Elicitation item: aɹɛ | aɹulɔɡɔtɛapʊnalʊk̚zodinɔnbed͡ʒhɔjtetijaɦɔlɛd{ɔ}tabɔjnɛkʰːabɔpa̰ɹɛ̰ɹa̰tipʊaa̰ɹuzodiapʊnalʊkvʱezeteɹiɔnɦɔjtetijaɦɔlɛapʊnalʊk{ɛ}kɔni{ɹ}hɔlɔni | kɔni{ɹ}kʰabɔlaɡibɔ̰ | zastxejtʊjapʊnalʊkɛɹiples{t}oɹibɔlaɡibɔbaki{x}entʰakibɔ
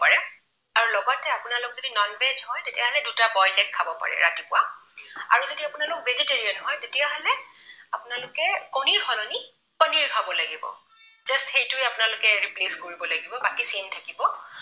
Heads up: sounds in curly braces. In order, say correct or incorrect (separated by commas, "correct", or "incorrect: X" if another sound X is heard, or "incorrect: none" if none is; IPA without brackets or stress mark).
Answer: incorrect: u, correct, correct, correct, incorrect: k, incorrect: s